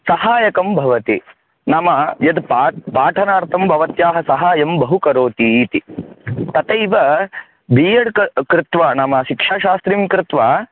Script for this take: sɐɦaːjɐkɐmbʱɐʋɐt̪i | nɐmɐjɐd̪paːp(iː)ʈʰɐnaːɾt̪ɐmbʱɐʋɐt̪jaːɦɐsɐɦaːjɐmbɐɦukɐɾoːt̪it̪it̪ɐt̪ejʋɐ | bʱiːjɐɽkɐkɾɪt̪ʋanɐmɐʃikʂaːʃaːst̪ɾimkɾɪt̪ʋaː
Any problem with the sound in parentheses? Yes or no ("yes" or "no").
yes